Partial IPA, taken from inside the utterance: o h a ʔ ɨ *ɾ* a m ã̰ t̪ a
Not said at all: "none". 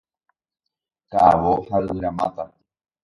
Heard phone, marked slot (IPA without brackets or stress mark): ɾ